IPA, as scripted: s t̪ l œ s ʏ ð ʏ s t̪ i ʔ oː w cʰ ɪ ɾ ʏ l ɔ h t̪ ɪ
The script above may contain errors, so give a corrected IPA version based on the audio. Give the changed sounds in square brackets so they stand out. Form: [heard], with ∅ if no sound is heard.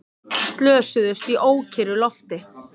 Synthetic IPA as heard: s t̪ l [œː] s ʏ ð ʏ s t̪ i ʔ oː w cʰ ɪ ɾ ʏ l ɔ [f] t̪ ɪ